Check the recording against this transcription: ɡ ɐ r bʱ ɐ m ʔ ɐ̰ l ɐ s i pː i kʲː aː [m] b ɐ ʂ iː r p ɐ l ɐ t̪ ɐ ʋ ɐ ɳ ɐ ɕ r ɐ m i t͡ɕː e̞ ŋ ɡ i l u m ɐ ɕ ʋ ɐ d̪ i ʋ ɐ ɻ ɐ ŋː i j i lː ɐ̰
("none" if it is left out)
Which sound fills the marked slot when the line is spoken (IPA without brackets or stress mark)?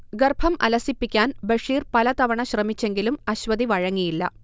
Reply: n